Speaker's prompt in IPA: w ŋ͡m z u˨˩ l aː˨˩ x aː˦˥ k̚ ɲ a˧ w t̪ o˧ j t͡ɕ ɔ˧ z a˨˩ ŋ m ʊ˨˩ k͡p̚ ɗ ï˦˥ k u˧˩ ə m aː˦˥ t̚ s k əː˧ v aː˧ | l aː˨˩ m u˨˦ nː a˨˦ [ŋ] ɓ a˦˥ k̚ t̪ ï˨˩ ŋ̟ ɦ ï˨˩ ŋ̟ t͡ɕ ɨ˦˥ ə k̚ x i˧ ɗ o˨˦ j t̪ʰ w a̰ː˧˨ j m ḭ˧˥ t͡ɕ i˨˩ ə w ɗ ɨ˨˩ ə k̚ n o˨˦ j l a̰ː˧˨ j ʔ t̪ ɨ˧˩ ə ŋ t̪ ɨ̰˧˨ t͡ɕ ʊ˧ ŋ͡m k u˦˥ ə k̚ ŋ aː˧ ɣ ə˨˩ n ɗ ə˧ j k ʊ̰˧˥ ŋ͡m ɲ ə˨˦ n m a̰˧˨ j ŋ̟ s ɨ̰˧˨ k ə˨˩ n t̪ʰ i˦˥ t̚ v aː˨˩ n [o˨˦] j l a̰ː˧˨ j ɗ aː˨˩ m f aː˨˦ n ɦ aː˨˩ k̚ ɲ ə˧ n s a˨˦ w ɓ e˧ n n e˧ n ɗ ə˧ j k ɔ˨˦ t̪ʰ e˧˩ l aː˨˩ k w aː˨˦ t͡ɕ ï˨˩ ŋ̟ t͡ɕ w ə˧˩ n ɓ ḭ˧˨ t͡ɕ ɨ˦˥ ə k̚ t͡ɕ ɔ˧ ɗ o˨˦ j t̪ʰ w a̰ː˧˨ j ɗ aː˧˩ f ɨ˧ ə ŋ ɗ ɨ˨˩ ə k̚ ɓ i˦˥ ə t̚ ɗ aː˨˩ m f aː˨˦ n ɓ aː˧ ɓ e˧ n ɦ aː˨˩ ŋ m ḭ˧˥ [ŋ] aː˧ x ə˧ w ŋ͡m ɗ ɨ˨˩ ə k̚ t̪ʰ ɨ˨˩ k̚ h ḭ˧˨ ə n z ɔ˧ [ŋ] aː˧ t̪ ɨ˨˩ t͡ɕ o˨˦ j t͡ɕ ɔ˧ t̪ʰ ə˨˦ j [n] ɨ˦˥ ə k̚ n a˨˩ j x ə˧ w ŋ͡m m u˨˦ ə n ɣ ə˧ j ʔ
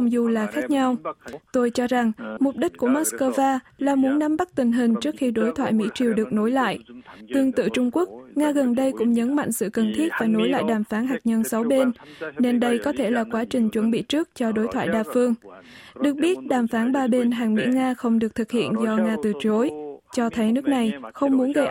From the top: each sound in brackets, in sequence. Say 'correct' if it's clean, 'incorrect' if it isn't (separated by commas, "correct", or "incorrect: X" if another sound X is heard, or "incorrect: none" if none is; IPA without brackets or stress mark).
incorrect: m, correct, correct, correct, correct